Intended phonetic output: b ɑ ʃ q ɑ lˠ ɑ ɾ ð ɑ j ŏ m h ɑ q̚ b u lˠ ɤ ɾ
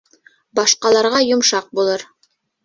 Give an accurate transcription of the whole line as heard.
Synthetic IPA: b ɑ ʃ q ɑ lˠ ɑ ɾ ʁ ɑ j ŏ m ʃ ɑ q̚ b u lˠ ɤ ɾ